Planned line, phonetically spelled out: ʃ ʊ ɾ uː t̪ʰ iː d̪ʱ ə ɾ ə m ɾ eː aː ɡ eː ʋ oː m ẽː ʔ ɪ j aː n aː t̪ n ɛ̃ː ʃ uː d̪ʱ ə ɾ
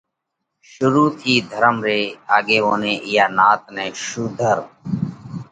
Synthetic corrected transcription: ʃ ʊ ɾ uː t̪ʰ iː d̪ʱ ə ɾ ə m ɾ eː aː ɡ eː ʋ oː n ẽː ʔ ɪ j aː n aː t̪ n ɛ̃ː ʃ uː d̪ʱ ə ɾ